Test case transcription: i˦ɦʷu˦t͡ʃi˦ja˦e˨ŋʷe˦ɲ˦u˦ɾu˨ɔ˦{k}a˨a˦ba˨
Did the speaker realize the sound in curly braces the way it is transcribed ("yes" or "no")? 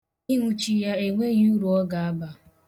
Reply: no